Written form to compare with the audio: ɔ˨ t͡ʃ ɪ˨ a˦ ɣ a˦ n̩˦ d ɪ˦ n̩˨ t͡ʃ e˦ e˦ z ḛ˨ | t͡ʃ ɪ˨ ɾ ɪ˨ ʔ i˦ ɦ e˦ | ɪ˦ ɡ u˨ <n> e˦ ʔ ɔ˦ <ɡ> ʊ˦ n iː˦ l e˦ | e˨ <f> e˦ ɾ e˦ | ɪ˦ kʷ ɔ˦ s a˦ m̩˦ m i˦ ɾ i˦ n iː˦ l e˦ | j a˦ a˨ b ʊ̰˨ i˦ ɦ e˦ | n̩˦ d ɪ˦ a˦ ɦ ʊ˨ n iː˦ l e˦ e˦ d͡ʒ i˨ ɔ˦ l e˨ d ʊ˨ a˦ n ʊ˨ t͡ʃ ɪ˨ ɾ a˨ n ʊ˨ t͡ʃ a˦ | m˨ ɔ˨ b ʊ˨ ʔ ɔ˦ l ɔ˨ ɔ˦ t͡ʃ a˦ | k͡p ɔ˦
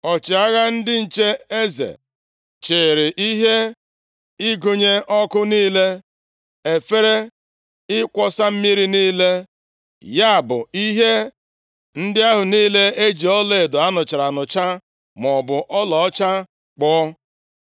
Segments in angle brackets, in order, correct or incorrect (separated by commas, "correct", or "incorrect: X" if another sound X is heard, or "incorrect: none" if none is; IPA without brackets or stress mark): incorrect: ɲ, incorrect: k, correct